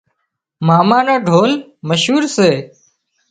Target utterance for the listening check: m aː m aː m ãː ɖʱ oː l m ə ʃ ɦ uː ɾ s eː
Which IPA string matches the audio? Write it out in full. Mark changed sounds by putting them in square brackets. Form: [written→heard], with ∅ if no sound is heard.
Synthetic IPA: m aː m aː [m→n] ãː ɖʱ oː l m ə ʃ ɦ uː ɾ s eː